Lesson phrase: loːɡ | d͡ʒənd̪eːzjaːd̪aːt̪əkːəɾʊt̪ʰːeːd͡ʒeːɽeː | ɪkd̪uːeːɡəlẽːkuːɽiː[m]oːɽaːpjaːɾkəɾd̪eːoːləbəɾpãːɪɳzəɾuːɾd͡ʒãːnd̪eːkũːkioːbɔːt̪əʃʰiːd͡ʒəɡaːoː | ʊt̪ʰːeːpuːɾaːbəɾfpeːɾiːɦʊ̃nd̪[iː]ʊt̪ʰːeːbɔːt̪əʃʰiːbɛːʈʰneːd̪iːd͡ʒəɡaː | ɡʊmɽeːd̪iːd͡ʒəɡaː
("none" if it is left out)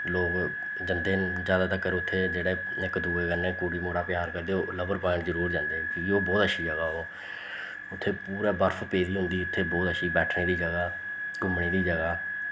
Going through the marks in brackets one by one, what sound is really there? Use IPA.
m, iː

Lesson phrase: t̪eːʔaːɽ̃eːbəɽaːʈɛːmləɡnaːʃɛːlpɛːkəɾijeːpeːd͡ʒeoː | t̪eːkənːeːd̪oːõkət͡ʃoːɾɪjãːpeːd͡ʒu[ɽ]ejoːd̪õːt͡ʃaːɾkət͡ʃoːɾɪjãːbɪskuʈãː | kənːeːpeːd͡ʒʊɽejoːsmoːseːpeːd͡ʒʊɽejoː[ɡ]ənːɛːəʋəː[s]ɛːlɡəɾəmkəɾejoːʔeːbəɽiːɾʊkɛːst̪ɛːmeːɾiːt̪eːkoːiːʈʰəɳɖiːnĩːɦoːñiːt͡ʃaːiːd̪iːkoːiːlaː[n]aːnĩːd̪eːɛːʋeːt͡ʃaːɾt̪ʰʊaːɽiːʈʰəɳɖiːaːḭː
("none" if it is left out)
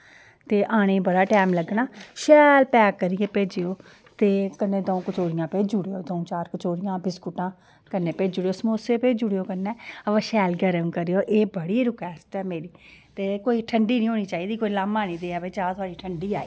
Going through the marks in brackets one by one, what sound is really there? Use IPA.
ɽ, k, ʃ, m

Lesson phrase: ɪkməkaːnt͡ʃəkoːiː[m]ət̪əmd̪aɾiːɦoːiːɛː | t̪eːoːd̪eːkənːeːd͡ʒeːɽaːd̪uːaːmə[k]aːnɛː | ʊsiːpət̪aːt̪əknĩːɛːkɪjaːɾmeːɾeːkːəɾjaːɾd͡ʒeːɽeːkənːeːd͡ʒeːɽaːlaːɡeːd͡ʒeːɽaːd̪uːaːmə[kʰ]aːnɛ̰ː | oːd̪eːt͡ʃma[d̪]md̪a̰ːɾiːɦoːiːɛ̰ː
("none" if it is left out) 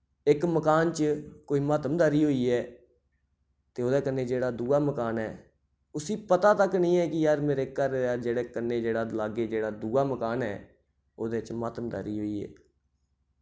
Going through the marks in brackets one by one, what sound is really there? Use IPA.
m, k, k, t̪

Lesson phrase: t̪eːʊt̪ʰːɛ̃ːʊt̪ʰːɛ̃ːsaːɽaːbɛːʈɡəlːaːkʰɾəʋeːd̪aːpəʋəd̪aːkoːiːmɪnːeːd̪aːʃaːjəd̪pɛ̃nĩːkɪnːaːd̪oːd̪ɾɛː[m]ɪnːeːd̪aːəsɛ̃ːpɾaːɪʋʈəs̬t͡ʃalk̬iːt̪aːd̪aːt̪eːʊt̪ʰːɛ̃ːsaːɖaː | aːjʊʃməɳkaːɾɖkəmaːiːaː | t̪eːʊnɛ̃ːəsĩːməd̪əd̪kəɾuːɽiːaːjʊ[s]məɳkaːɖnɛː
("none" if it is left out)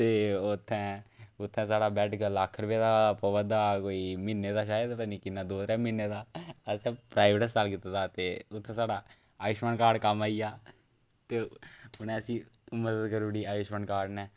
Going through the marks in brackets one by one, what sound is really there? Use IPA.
m, ʃ

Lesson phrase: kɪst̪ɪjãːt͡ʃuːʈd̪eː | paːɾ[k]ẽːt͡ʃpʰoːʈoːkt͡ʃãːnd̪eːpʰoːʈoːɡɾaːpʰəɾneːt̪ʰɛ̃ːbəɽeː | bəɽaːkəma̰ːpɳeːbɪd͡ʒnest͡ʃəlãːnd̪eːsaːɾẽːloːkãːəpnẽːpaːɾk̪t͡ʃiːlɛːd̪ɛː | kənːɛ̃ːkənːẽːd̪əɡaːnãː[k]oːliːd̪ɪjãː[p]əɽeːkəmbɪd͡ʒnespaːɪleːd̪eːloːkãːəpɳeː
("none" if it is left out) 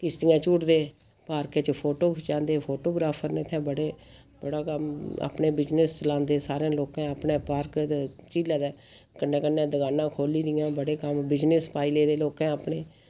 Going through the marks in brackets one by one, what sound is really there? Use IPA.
k, kʰ, b

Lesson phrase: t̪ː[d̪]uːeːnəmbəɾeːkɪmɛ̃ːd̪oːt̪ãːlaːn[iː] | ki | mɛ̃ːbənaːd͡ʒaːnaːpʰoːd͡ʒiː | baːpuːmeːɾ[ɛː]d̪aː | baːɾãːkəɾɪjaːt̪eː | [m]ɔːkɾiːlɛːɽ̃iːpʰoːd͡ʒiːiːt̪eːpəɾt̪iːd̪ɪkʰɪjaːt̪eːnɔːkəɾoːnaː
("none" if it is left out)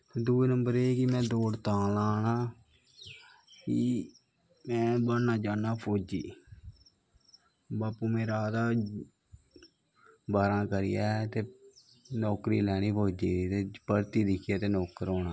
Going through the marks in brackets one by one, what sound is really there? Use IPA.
d̪, aː, aː, n

